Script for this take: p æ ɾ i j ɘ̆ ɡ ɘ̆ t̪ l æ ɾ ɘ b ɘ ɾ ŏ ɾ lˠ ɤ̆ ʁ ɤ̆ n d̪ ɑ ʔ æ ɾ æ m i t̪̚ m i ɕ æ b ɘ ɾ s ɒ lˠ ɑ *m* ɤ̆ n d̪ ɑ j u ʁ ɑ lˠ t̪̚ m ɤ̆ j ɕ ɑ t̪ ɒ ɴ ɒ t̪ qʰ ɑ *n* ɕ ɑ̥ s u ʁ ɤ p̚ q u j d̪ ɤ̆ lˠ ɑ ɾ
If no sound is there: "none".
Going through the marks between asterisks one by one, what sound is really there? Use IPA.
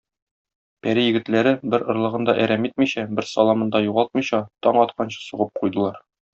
m, n

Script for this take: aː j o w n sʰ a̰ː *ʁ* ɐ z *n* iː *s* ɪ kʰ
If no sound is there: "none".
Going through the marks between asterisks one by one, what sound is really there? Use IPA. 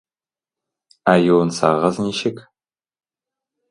ʁ, n, ʃ

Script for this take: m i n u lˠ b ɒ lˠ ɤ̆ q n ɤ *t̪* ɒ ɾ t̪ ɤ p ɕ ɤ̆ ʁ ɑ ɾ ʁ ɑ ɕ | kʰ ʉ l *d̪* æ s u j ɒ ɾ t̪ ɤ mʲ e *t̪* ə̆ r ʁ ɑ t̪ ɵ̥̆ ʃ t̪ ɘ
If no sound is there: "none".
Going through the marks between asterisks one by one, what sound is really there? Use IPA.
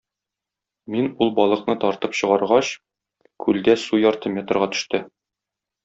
t̪, d̪, t̪

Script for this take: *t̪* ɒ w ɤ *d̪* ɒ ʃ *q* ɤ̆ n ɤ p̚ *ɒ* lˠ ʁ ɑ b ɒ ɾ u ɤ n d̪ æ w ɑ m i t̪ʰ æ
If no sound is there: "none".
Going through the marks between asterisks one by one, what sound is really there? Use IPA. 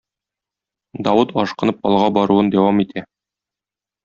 d̪, t̪, q, ɒ

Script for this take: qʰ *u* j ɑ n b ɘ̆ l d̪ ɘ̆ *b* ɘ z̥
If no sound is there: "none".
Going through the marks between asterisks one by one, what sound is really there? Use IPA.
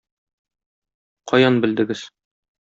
ɒ, ɡ

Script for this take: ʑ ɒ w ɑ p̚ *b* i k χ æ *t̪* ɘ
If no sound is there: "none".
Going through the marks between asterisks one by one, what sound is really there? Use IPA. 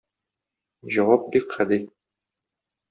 b, d̪

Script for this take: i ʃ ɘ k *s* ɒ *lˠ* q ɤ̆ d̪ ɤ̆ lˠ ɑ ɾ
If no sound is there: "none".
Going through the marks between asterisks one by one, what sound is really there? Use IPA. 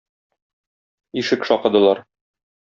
ʃ, none

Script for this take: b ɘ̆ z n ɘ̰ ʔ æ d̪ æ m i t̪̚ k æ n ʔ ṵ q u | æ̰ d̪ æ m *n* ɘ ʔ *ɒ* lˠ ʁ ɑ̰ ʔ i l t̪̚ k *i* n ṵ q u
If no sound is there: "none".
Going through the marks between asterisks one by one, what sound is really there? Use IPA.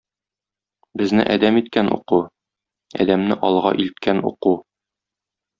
n, ɒ, æ

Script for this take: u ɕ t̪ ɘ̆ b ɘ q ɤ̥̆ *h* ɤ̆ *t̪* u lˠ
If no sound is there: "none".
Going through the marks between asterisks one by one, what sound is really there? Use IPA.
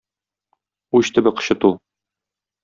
ɕ, t̪

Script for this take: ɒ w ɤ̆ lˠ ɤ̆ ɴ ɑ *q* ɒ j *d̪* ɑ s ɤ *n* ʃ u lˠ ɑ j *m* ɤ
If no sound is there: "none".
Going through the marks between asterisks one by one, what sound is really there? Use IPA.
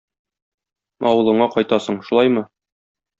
q, t̪, ɴ, m

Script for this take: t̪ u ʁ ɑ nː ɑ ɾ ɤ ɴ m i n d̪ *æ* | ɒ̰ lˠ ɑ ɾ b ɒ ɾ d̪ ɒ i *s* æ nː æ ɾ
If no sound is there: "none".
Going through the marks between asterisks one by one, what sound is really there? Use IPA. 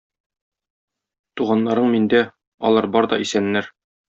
æ, s

